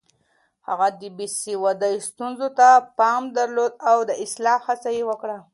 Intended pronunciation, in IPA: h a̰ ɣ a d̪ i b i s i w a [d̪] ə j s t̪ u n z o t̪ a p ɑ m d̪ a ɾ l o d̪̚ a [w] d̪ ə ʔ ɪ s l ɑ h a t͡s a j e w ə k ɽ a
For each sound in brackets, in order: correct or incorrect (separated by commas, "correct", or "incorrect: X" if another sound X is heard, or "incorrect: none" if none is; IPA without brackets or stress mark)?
correct, correct